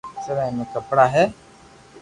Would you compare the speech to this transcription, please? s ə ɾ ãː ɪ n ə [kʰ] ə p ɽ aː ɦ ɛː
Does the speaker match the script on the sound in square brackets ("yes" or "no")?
no